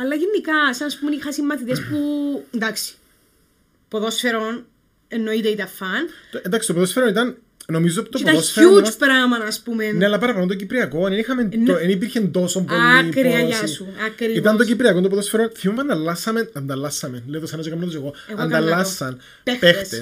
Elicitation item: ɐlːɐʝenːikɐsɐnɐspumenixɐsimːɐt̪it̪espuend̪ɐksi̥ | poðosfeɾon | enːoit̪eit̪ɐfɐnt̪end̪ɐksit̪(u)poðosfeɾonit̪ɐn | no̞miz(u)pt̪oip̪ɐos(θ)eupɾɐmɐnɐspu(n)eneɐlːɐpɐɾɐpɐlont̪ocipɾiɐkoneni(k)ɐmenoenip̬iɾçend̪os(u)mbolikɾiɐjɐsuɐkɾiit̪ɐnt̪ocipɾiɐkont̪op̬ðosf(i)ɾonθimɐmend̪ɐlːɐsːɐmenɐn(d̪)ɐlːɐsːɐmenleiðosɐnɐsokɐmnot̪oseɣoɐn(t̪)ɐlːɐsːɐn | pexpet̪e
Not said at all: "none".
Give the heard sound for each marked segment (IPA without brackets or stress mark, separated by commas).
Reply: o, o, f, m, x, o, e, d̪, d̪